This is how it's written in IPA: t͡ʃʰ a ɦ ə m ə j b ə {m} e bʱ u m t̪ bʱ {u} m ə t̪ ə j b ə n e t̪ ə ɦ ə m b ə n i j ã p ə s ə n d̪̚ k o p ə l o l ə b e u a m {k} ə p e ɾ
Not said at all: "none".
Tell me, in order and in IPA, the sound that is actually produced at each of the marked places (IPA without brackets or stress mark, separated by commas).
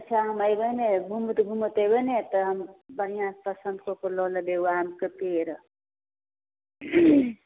n, u, k